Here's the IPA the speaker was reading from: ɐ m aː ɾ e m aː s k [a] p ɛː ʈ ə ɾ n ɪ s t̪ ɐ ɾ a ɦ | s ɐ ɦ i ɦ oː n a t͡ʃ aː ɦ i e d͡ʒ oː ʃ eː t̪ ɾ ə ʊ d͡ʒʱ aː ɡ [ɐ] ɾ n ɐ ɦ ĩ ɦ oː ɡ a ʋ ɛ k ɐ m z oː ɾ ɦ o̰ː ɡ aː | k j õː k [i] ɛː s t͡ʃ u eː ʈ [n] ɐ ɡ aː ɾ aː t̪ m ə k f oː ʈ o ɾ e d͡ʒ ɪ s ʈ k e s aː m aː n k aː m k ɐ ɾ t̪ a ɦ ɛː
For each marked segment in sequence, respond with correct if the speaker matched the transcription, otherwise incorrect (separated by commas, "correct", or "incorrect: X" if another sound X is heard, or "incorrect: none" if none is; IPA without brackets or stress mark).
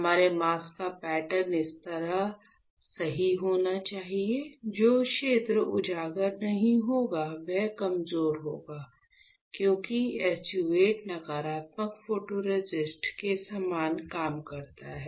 correct, incorrect: ə, correct, correct